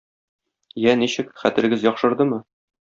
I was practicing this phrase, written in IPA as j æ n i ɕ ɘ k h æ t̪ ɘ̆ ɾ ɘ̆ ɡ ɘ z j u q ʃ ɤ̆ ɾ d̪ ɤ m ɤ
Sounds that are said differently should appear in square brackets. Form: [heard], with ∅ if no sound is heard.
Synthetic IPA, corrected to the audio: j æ n i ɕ ɘ k [χ] æ t̪ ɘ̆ ɾ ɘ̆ ɡ ɘ z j [ɒ] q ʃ ɤ̆ ɾ d̪ ɤ m ɤ